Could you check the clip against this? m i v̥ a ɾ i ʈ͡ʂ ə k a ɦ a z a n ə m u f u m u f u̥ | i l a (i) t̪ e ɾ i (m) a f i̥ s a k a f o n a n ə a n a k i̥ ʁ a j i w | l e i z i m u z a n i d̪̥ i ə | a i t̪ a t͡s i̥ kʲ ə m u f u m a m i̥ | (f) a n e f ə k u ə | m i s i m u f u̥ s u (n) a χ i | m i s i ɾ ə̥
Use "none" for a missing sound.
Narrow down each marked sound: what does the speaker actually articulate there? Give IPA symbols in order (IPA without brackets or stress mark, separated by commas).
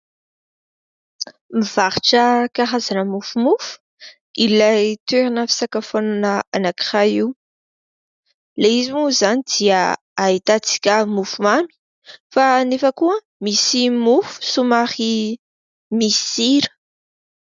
j, n, f, m